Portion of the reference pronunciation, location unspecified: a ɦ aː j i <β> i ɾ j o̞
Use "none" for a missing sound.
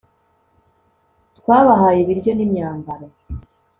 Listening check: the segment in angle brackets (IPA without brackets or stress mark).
β